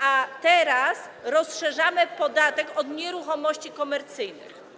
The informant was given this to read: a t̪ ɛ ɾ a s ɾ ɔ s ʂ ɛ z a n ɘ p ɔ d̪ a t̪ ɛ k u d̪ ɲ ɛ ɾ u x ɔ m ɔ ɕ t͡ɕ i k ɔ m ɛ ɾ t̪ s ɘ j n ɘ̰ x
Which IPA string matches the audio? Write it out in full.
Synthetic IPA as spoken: a t̪ ɛ ɾ a s ɾ ɔ s ʂ ɛ ʐ a m ɘ p ɔ d̪ a t̪ ɛ k ɔ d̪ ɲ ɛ ɾ u x ɔ m ɔ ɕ t͡ɕ i k ɔ m ɛ ɾ t̪ s ɘ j n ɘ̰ x

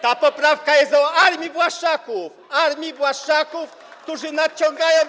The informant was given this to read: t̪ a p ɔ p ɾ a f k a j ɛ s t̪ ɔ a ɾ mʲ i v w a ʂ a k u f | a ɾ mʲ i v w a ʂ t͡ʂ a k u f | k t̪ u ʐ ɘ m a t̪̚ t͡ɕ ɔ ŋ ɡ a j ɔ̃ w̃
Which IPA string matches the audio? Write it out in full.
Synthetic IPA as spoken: t̪ a p ɔ p ɾ a f k a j ɛ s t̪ ɔ a ɾ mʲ i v w a ʂ a k u f | a ɾ mʲ i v w a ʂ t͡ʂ a k u f | k t̪ u ʐ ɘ n a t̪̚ t͡ɕ ɔ ŋ ɡ a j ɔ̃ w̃

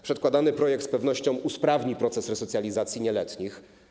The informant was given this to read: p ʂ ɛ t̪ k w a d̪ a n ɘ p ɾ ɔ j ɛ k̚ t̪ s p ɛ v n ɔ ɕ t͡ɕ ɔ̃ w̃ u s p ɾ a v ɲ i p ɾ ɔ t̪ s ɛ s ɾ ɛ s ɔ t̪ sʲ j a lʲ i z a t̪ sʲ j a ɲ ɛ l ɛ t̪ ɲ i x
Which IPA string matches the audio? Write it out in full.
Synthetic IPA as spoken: p ʂ ɛ t̪ k w a d̪ a n ɘ p ɾ ɔ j ɛ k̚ t̪ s p ɛ v n ɔ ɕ t͡ɕ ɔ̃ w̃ u s p ɾ a v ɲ i p ɾ ɔ t̪ s ɛ s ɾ ɛ s ɔ t̪ sʲ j a lʲ i z a t̪ sʲ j i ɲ ɛ l ɛ t̪ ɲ i x

